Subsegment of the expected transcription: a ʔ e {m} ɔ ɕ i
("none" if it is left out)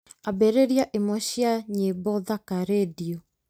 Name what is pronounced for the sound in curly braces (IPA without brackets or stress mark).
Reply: m